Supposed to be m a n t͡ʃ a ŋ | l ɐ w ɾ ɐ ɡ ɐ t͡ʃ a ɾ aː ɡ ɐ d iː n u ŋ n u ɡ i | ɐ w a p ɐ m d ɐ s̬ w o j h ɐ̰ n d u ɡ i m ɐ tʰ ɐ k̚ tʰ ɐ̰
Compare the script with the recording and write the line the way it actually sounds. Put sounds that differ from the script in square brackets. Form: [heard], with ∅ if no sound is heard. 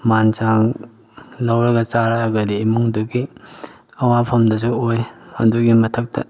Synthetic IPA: m a n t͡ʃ a ŋ | l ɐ w ɾ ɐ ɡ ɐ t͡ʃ a ɾ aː ɡ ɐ d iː [m] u ŋ [d] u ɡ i | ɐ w a [pʰ] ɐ m d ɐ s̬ [u] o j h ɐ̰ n d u ɡ i m ɐ tʰ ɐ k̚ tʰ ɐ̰